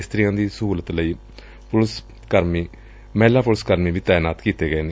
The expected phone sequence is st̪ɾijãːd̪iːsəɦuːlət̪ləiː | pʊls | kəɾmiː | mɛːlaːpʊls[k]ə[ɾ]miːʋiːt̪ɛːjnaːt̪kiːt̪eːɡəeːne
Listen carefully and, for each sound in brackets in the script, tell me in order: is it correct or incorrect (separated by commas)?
correct, correct